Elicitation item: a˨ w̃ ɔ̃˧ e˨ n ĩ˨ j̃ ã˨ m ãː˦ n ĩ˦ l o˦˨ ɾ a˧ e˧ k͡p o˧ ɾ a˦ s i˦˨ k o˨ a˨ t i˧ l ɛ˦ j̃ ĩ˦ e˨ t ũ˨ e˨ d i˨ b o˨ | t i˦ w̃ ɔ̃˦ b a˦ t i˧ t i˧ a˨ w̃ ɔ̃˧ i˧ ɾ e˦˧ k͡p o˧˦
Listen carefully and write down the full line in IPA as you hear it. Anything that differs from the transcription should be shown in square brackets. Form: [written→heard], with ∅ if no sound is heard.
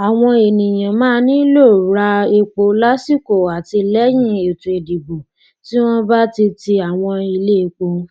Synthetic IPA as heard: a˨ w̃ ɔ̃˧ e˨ n ĩ˨ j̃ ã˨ m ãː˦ n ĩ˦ l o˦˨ ɾ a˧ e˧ k͡p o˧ [ɾ→l] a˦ s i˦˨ k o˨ a˨ t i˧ l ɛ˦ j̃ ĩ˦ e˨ t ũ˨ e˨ d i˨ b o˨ | t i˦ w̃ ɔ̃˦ b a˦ t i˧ t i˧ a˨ w̃ ɔ̃˧ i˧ [ɾ→l] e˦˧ k͡p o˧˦